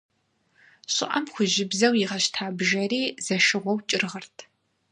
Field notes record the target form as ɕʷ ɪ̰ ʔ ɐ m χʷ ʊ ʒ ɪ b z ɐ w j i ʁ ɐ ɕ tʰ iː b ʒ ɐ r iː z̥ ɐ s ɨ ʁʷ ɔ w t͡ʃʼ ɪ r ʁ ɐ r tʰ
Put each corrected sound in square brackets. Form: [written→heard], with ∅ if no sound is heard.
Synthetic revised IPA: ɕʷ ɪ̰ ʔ ɐ m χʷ ʊ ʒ ɪ b z ɐ w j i ʁ ɐ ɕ tʰ [iː→aː] b ʒ ɐ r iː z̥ ɐ [s→ʃ] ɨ ʁʷ ɔ w t͡ʃʼ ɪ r ʁ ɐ r tʰ